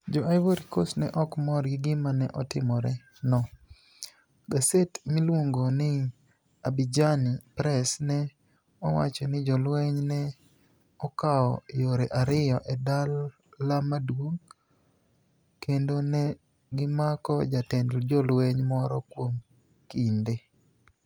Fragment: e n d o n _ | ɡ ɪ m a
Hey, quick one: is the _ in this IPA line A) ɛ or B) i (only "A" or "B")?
A